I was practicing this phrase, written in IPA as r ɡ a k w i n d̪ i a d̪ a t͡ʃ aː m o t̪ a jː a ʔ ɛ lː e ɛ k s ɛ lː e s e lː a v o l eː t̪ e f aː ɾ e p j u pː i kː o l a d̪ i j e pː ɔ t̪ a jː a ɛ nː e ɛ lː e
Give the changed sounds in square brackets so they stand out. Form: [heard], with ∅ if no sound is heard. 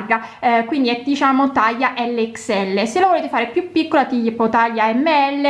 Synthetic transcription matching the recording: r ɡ a k w i n d̪ i [ɛ] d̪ [i] t͡ʃ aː m o t̪ a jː a ʔ ɛ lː e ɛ k s ɛ lː e s e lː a v o l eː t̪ e f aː ɾ e p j u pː i kː o l a [t̪] i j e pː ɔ t̪ a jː a ɛ [mː] e ɛ lː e